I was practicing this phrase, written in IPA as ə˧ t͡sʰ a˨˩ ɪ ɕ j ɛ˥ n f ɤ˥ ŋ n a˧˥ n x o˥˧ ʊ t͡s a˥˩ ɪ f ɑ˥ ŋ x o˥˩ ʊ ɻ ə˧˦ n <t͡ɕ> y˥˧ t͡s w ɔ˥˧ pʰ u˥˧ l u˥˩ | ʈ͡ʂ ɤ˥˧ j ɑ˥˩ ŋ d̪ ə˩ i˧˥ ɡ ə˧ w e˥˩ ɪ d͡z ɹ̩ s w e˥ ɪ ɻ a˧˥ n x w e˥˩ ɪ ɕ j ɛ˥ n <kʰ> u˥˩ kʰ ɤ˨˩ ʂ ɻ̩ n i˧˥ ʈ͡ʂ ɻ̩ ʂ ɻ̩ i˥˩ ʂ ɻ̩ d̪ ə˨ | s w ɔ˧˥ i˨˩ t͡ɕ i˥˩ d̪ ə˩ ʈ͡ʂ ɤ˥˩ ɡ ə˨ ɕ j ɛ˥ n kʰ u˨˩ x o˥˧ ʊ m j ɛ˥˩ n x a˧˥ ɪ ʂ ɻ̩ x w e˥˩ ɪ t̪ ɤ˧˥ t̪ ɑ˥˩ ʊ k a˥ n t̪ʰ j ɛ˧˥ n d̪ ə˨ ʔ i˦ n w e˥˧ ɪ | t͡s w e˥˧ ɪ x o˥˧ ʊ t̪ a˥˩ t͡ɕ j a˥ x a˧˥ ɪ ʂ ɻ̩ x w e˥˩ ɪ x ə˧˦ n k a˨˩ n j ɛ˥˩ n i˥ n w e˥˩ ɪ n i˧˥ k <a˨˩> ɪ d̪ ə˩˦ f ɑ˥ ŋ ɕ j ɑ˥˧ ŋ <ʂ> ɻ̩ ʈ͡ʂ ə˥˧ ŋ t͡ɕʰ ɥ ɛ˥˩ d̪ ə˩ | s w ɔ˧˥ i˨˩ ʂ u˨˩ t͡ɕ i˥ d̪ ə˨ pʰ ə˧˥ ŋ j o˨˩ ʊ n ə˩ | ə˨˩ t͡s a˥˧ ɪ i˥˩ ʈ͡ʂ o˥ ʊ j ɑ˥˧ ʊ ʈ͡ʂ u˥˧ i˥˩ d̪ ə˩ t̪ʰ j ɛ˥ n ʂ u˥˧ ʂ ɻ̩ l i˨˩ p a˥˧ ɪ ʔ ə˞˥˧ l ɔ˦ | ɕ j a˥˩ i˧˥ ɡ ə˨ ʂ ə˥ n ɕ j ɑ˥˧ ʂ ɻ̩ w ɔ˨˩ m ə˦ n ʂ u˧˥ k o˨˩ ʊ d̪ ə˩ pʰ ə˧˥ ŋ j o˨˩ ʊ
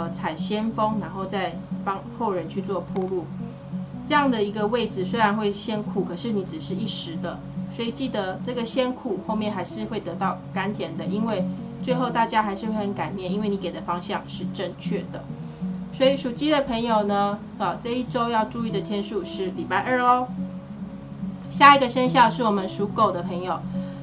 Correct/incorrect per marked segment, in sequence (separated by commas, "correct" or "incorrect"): incorrect, correct, incorrect, correct